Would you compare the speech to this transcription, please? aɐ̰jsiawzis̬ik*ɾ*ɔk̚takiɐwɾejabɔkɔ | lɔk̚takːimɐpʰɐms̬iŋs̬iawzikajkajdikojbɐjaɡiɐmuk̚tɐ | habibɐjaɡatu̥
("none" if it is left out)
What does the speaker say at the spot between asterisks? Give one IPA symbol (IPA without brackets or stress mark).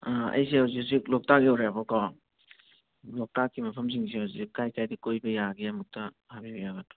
l